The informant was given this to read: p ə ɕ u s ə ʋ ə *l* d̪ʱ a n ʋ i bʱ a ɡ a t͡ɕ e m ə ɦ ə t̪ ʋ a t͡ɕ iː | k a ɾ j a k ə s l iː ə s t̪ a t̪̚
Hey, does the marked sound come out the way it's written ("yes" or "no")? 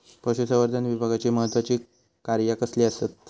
no